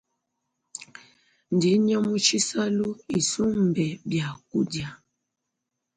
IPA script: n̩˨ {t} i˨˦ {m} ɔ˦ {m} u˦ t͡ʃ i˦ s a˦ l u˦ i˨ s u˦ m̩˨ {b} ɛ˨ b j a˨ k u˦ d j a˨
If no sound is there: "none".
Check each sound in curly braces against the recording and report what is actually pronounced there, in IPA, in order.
d, ɲ, m, b

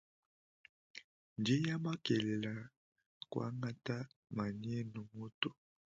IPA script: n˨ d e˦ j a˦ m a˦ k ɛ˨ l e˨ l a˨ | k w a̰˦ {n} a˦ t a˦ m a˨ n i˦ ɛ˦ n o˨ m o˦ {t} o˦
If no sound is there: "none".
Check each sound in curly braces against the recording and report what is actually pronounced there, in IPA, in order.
ŋ, t

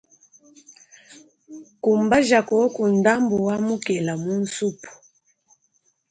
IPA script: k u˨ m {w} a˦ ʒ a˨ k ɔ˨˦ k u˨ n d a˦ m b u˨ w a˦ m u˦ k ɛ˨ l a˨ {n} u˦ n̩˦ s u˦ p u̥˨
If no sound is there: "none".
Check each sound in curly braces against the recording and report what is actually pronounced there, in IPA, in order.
b, m

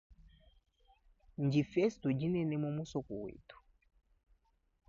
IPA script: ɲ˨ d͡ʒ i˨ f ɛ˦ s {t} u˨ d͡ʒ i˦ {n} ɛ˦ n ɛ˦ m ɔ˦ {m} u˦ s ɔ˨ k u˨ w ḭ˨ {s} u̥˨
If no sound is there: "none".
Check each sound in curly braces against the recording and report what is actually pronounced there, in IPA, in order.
t, n, m, t

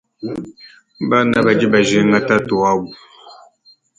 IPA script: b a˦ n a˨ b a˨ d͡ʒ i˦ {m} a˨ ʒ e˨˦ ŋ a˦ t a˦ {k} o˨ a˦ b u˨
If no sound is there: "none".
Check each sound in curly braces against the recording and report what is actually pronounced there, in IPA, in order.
b, t

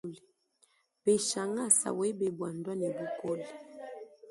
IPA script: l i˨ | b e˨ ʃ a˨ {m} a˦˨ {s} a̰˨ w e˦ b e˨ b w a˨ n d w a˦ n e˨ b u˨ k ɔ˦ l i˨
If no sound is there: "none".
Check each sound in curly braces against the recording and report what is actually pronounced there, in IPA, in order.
ŋ, s

